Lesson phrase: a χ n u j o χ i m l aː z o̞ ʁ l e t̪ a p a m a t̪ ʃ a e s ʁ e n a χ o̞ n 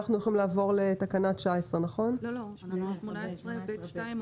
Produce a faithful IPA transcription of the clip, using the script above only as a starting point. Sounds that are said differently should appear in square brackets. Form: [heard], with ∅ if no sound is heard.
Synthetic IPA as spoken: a χ n u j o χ i m l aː [v] o̞ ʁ l e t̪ a [k] a [n] a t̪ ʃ a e s ʁ e n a χ o̞ n